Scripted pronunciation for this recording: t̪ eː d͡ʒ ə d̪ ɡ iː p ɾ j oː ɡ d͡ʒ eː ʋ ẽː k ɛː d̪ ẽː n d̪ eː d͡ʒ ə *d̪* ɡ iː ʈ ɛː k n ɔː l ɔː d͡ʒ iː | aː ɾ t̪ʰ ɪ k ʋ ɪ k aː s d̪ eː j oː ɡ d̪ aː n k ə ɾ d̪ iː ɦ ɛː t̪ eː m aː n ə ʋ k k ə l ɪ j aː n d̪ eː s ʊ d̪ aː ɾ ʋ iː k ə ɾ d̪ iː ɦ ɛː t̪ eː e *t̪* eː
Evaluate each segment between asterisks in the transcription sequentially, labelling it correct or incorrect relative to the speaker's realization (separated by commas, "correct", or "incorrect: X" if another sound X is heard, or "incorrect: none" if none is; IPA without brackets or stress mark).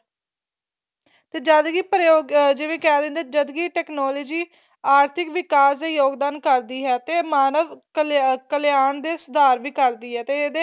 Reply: correct, incorrect: d̪